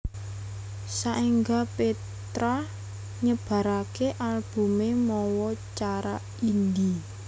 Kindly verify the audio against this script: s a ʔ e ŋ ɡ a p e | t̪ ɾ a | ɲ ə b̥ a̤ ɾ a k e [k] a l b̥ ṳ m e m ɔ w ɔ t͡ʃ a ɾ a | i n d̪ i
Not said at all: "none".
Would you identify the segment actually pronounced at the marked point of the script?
ʔ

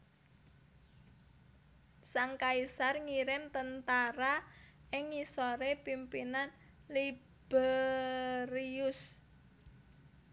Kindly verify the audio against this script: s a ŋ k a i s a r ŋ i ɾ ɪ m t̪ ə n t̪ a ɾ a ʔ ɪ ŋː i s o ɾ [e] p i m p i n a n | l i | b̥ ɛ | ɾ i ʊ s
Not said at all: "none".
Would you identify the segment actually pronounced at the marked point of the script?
e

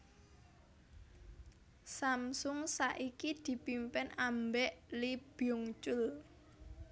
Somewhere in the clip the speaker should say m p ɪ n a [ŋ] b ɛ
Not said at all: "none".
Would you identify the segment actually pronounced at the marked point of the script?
m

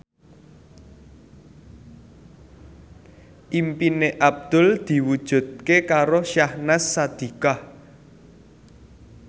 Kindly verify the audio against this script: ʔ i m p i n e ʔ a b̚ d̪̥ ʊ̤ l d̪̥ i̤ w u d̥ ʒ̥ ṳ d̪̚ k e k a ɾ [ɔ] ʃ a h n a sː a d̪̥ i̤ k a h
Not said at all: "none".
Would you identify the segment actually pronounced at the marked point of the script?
o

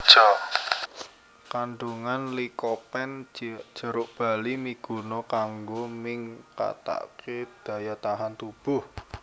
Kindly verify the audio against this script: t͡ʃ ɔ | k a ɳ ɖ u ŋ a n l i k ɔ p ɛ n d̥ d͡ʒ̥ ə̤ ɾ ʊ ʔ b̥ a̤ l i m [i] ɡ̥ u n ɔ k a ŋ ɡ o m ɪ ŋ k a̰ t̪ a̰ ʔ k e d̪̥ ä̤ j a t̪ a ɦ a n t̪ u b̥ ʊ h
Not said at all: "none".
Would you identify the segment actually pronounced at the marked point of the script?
i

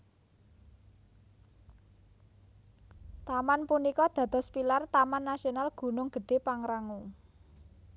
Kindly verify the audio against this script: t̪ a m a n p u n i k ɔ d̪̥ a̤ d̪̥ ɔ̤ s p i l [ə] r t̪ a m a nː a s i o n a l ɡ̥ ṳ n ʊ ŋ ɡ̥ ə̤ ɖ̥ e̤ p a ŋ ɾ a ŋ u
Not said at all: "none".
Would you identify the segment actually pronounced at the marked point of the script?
a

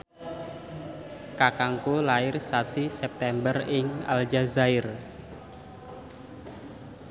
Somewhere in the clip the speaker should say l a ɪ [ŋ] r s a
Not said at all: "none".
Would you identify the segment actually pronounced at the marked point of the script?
none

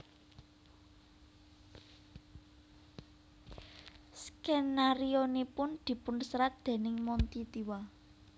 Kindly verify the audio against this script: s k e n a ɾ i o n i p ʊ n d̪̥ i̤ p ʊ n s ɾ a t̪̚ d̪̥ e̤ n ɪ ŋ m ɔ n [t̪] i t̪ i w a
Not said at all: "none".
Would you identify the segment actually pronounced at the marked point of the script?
t̪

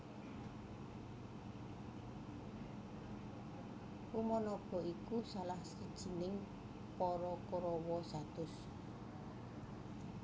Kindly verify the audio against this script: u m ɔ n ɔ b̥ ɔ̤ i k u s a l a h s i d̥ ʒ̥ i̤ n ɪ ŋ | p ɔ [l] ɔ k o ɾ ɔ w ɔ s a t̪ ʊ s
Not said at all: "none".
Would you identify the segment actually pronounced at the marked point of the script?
ɾ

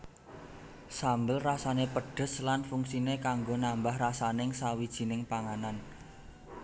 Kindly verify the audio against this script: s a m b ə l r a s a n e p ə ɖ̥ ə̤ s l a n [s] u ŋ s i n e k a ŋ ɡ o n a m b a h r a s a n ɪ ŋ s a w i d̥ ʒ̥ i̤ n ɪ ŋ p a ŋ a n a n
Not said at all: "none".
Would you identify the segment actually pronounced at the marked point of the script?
f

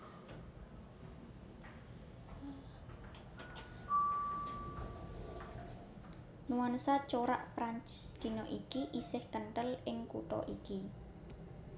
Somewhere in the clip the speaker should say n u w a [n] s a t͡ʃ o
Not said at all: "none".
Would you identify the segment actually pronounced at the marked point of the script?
n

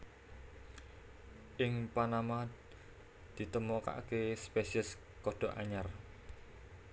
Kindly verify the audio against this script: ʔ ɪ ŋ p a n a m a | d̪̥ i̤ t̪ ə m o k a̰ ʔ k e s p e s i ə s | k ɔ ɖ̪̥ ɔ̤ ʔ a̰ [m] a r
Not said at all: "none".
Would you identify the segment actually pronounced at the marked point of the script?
ɲ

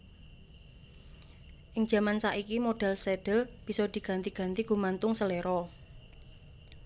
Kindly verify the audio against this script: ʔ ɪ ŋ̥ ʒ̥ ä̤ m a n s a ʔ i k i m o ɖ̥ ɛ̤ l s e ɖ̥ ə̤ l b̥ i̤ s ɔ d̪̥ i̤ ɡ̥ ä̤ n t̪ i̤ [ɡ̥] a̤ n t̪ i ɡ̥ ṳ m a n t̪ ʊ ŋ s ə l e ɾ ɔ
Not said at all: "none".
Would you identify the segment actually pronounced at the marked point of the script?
ɡ̥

